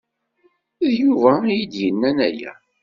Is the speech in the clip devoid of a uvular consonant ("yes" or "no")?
yes